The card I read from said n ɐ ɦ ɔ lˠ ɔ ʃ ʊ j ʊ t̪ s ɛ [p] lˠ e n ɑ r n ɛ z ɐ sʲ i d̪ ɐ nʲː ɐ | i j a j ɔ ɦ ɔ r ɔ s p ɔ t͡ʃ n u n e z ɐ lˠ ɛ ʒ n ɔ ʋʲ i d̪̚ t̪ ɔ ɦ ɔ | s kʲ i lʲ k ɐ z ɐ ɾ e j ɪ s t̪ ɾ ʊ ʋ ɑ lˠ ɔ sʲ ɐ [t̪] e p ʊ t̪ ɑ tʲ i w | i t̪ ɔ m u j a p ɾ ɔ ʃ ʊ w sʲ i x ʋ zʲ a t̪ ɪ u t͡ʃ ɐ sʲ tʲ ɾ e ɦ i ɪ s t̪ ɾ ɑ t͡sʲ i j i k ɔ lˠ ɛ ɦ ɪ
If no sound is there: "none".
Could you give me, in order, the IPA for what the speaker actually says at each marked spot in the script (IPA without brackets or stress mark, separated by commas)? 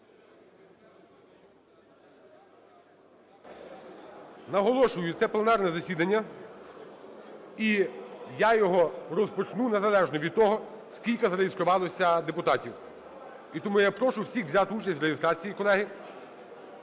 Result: p, d̪